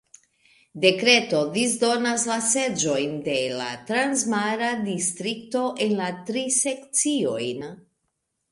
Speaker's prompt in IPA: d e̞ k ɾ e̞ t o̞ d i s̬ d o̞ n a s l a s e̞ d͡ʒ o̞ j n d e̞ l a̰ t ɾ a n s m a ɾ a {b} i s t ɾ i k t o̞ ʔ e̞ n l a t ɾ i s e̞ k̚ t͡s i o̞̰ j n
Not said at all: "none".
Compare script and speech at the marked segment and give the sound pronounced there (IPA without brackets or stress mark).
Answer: d